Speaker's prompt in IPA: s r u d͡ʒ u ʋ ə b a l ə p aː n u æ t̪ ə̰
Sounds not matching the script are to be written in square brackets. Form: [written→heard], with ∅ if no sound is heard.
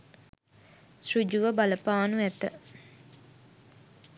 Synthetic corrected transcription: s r u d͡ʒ u ʋ ə b a l ə p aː n u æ t̪ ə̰

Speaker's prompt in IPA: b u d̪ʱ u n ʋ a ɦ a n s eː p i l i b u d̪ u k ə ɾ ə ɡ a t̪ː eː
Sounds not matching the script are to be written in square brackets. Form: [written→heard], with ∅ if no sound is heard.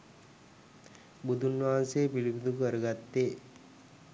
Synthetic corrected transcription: b u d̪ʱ u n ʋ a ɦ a n s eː p i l i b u d̪ u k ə ɾ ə ɡ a t̪ː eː

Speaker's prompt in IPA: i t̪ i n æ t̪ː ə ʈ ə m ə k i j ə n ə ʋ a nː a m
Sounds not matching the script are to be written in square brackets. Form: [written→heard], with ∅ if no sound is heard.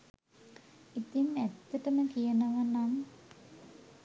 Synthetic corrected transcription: i t̪ i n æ t̪ː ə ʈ ə m ə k i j ə n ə ʋ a [nː→n] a m

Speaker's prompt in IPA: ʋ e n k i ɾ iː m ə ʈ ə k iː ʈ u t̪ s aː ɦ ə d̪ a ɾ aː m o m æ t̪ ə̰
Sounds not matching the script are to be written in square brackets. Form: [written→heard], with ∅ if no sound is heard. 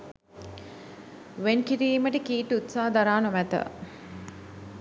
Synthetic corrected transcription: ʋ e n k i ɾ iː m ə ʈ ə k iː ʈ u t̪ s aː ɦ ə d̪ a ɾ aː [m→n] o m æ t̪ ə̰

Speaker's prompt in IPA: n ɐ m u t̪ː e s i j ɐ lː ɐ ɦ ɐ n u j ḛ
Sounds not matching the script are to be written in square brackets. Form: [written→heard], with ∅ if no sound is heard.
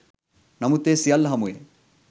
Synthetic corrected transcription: n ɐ m u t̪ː e s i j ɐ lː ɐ ɦ ɐ [n→m] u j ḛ

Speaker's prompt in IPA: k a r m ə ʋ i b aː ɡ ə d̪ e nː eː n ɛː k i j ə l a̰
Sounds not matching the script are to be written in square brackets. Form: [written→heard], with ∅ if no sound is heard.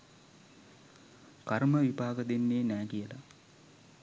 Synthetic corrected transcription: k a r m ə ʋ i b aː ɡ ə d̪ e nː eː n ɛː k i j ə l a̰

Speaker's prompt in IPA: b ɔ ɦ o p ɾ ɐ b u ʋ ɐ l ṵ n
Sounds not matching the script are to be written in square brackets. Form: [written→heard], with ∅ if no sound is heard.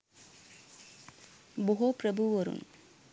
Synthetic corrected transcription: b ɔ ɦ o p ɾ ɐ b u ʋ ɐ [l→ɾ] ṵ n

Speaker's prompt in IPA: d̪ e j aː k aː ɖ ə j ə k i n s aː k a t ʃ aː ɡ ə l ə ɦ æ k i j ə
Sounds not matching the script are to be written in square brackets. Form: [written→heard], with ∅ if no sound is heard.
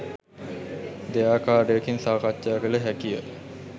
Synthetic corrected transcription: d̪ e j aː k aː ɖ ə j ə k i n s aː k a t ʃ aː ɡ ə l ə ɦ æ k i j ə

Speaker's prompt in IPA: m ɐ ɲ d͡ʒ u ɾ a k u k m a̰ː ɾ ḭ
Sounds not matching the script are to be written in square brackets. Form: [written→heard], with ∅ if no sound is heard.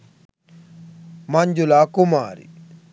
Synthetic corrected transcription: m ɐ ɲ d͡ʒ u [ɾ→l] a k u [k→∅] m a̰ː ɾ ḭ

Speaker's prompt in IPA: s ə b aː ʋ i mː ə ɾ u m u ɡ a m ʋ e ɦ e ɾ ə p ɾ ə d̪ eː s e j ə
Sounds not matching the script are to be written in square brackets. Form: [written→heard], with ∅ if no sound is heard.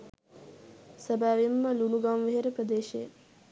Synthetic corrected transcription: s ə b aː ʋ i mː ə [ɾ→l] u [m→n] u ɡ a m ʋ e ɦ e ɾ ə p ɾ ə d̪ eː [s→ʃ] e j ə

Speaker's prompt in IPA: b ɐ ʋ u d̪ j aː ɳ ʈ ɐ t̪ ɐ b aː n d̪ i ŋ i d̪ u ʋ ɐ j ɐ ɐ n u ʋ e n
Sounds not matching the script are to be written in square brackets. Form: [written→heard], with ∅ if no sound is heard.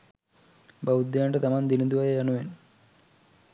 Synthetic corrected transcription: b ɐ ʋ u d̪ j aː ɳ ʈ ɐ t̪ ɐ [b→m] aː n d̪ i [ŋ→n] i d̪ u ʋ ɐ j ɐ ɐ n u ʋ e n

